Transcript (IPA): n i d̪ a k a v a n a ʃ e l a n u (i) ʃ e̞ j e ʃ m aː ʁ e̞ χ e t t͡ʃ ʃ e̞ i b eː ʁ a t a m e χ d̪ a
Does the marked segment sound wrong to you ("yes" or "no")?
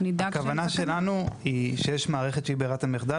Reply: no